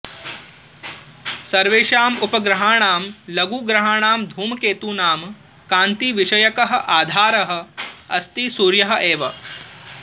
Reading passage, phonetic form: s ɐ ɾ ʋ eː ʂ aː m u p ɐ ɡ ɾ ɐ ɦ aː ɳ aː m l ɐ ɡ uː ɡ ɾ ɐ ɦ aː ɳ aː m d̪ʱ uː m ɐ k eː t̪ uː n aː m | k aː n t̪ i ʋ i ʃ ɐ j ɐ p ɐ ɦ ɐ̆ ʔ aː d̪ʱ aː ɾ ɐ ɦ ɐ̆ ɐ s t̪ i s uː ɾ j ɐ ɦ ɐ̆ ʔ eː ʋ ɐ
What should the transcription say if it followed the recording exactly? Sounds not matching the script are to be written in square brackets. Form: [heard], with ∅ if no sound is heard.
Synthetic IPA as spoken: s ɐ ɾ ʋ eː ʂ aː m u p ɐ ɡ ɾ ɐ ɦ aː ɳ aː m l ɐ ɡ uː ɡ ɾ ɐ ɦ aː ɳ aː m d̪ʱ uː m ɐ k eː t̪ uː n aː m | k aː n t̪ i ʋ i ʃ ɐ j ɐ [k] ɐ ɦ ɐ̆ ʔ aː d̪ʱ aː ɾ ɐ ɦ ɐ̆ ɐ s t̪ i s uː ɾ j ɐ ɦ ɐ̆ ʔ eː ʋ ɐ